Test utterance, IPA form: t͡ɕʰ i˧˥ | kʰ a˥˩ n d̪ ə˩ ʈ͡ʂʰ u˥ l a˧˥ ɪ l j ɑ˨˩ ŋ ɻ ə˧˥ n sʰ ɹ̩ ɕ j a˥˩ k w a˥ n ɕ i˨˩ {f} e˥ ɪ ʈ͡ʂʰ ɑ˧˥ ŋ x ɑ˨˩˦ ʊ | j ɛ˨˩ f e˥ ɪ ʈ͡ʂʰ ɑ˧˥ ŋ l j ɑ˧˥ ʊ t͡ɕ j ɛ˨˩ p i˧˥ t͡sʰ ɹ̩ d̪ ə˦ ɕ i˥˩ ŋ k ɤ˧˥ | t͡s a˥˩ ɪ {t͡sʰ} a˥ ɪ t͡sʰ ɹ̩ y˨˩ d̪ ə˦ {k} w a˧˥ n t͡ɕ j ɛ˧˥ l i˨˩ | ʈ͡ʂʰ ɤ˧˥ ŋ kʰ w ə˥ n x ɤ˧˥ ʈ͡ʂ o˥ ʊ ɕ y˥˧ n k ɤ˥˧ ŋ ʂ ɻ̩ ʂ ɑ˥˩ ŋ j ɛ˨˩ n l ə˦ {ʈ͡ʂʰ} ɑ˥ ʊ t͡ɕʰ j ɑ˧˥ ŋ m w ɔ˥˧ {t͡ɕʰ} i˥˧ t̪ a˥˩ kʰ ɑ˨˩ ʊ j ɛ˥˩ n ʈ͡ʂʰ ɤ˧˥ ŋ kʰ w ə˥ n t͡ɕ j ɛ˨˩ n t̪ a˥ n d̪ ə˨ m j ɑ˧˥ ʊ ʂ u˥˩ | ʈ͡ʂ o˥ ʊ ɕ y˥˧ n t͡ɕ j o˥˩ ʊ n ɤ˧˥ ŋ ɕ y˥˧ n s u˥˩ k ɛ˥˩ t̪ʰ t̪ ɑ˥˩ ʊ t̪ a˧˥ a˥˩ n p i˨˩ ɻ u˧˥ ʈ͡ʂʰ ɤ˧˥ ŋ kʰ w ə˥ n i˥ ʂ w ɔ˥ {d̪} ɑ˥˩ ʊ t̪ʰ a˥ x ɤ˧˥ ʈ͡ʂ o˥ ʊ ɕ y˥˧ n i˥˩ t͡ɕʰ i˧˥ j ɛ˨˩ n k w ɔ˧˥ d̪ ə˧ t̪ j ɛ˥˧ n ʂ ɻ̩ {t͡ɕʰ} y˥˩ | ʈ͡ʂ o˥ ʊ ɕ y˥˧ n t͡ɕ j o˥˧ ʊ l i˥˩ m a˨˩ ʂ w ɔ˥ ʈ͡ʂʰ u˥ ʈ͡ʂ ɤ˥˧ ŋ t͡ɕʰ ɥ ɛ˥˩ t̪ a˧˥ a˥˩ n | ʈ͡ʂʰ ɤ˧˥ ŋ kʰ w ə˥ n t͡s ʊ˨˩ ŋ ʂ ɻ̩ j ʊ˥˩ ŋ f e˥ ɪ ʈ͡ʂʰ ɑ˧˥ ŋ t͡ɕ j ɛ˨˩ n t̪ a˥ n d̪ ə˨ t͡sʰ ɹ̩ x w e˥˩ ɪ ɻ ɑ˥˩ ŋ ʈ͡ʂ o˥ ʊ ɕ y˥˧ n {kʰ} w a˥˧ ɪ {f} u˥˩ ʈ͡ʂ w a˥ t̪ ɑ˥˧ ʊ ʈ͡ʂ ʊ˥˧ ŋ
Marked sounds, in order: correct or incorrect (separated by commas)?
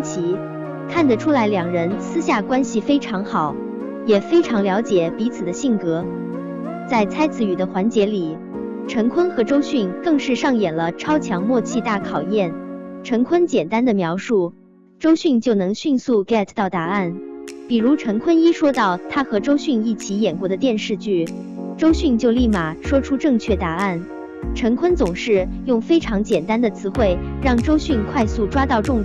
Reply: correct, correct, incorrect, correct, correct, incorrect, incorrect, correct, incorrect